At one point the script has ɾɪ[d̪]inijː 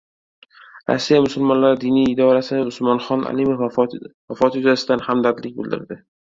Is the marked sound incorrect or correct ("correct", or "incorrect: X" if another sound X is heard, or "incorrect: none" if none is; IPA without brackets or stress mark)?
correct